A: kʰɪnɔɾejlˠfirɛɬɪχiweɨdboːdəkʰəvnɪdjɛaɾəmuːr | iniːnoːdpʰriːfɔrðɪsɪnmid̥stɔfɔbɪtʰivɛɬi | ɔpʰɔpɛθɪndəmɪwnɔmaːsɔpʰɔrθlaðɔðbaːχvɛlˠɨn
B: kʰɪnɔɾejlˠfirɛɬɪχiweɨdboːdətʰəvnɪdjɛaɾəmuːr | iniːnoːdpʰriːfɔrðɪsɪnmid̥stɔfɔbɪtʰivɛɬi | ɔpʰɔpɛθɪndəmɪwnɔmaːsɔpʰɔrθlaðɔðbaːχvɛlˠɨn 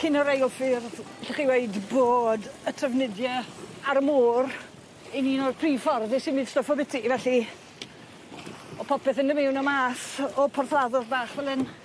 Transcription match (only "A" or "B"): B